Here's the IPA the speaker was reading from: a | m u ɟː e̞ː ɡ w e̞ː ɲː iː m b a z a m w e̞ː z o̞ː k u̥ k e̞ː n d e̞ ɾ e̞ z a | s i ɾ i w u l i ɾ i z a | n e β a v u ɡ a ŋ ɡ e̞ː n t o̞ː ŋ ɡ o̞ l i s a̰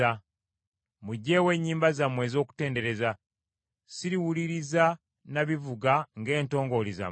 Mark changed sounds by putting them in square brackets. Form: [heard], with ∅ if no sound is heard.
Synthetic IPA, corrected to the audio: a | m u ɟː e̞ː [∅] w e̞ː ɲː iː m b a z a m w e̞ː z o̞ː k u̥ [t] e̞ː n d e̞ ɾ e̞ z a | s i ɾ i w u l i ɾ i z a | n [a] β [i] v u ɡ a ŋ ɡ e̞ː n t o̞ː ŋ ɡ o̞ l i [z] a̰